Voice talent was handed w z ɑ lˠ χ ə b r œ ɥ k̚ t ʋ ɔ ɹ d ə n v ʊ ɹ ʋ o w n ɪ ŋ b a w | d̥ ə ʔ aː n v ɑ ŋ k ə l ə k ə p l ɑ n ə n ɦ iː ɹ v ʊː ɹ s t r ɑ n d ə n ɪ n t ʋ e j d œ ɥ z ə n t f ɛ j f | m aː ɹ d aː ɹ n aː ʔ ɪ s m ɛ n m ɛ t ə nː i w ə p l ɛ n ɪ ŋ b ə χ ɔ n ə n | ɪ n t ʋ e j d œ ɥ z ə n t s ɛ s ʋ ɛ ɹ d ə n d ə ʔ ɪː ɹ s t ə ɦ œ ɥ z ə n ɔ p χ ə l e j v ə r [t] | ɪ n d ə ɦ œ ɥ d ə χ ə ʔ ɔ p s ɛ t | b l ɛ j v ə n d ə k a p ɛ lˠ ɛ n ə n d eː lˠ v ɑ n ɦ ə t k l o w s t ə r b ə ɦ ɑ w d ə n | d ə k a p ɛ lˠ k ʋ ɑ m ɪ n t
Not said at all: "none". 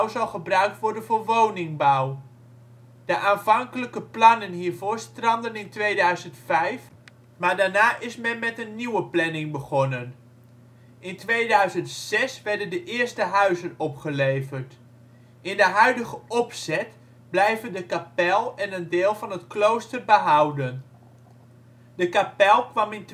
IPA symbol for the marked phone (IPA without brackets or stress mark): t